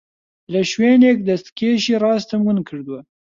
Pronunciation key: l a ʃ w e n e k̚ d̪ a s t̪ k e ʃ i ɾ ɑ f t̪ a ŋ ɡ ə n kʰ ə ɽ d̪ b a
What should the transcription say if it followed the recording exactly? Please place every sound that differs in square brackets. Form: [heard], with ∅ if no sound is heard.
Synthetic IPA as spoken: l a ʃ w e n e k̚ d̪ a s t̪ k e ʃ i ɾ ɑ [s] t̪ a [m] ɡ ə n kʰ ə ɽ d̪ [w] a